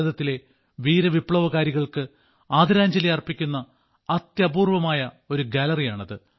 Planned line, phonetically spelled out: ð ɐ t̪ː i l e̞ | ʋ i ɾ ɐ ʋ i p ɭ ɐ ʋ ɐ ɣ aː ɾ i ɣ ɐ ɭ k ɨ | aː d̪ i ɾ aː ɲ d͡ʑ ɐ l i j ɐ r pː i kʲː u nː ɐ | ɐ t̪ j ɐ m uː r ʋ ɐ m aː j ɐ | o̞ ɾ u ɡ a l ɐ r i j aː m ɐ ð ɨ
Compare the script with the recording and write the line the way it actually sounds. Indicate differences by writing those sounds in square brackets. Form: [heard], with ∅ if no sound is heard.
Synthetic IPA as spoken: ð ɐ t̪ː i l e̞ | ʋ [iː] ɾ ɐ ʋ i p ɭ ɐ ʋ ɐ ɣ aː ɾ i ɣ ɐ ɭ k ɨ | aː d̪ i ɾ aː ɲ d͡ʑ ɐ l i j ɐ r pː i kʲː u nː ɐ | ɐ t̪ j ɐ [b] uː r ʋ ɐ m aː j ɐ | o̞ ɾ u ɡ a l ɐ r i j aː [ɳ] ɐ ð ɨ

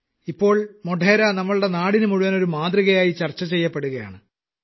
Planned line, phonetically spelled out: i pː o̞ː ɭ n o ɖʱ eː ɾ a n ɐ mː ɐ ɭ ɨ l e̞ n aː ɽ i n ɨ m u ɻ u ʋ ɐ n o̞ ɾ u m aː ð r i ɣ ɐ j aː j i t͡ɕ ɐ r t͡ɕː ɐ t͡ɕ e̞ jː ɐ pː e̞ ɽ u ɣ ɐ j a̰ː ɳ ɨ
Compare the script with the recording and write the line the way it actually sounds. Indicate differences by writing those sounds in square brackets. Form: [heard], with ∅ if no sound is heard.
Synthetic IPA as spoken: i pː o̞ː ɭ [m] o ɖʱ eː ɾ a n ɐ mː ɐ ɭ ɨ [ɽ] e̞ n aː ɽ i n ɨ m u ɻ u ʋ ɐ n o̞ ɾ u m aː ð r i ɣ ɐ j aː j i t͡ɕ ɐ r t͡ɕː ɐ t͡ɕ e̞ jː ɐ pː e̞ ɽ u ɣ ɐ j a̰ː ɳ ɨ

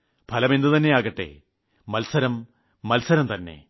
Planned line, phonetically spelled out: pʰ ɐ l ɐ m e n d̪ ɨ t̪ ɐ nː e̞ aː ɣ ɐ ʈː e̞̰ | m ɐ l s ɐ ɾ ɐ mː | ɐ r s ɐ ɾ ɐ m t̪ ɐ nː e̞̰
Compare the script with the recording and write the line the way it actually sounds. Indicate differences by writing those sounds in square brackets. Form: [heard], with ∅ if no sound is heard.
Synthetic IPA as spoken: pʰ ɐ l ɐ m e n d̪ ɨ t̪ ɐ nː e̞ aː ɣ ɐ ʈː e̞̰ | m ɐ l s ɐ ɾ ɐ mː | ɐ [l] s ɐ ɾ ɐ m t̪ ɐ nː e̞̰

